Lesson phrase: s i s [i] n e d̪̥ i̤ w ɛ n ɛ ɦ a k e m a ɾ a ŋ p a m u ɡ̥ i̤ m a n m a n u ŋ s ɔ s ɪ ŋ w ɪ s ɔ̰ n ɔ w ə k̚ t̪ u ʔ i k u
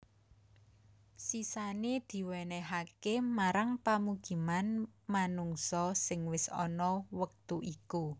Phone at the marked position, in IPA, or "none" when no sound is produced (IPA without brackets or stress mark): a